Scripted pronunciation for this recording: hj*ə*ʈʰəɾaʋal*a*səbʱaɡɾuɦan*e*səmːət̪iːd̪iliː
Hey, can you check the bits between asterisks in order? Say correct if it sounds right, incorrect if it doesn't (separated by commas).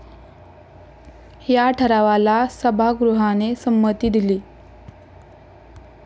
incorrect, correct, correct